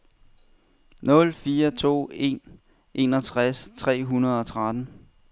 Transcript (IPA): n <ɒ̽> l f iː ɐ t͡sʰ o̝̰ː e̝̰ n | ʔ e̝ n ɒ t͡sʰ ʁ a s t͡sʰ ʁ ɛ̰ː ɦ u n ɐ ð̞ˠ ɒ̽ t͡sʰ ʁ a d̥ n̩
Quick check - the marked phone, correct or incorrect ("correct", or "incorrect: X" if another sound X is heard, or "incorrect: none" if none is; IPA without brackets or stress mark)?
incorrect: ɔ̽